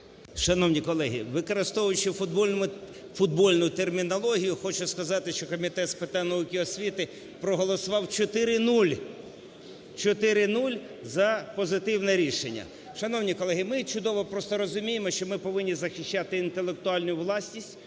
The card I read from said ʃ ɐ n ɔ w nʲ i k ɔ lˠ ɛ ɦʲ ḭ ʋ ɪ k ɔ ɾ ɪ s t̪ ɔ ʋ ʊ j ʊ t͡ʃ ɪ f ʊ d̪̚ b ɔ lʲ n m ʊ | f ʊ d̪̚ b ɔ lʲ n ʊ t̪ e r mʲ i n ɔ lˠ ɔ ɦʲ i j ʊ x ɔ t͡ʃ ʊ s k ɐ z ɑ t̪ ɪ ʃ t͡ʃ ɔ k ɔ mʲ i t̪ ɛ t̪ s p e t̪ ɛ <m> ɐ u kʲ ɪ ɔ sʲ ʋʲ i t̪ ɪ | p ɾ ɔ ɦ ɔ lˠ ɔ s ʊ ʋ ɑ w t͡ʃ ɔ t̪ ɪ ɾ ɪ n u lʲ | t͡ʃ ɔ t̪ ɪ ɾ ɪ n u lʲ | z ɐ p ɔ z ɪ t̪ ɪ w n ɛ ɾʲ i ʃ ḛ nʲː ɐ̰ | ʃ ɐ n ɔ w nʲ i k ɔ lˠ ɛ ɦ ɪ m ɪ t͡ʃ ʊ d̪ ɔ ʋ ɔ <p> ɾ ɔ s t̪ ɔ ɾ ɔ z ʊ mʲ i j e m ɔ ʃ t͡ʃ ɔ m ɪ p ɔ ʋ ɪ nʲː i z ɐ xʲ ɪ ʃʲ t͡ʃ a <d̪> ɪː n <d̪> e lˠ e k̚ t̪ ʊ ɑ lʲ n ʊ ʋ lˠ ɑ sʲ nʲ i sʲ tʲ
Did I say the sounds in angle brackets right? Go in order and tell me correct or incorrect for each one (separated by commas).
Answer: incorrect, correct, incorrect, incorrect